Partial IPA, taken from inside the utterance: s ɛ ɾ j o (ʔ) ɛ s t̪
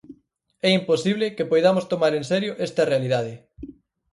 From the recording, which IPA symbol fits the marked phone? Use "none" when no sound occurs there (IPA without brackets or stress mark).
ʔ